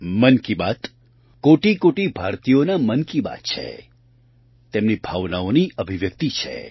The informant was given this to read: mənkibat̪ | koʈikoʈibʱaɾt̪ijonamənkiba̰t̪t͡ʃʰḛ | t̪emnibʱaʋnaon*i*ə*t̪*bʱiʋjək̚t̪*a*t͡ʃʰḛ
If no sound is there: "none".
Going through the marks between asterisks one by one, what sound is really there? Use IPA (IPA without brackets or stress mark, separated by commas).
i, none, i